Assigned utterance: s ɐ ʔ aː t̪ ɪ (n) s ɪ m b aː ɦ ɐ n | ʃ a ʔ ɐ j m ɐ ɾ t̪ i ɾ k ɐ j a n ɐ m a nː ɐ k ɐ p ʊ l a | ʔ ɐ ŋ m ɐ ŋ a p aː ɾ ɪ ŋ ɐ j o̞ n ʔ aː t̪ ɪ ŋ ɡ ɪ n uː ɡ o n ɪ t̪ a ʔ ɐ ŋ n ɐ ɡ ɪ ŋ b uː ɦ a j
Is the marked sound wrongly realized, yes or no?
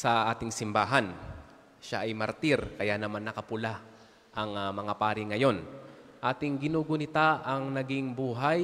yes